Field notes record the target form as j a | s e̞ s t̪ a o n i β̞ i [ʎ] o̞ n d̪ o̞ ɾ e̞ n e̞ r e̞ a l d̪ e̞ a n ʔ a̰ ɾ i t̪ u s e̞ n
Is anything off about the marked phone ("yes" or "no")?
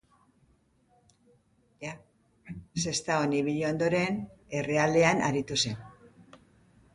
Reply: no